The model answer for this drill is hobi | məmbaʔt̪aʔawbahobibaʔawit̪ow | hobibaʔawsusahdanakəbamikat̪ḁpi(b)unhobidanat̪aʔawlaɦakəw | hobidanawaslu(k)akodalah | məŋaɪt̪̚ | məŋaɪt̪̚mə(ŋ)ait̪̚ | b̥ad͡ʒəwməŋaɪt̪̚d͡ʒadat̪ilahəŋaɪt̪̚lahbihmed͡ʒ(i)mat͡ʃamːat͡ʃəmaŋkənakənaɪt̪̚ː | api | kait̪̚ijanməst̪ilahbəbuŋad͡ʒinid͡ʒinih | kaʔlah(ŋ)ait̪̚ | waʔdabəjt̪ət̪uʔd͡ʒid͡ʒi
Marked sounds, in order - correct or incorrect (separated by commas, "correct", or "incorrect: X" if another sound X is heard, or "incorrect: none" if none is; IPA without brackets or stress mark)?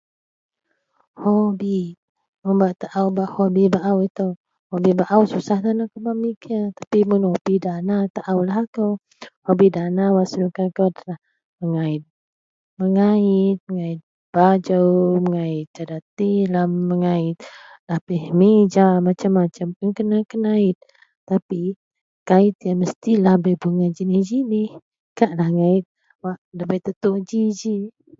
incorrect: m, correct, correct, incorrect: a, correct